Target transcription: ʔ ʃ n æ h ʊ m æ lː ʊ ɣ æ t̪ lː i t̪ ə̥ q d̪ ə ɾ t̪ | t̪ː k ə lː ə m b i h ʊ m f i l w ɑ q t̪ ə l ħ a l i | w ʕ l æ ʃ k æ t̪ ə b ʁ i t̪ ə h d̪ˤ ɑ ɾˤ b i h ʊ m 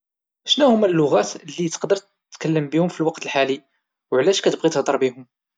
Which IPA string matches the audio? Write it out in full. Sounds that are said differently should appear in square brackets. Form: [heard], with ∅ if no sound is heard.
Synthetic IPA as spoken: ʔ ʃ n æ h ʊ m æ lː ʊ ɣ æ t̪ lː i t̪ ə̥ q d̪ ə ɾ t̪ | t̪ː k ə lː ə m b i h ʊ m f i l w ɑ q t̪ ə l ħ a l i | w ʕ l æ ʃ k æ t̪ ə b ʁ i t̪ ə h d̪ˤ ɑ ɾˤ b i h ʊ m